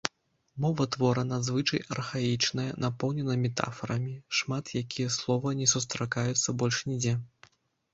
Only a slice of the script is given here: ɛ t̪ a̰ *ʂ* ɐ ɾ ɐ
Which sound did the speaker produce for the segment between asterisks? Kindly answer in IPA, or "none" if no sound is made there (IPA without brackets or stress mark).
f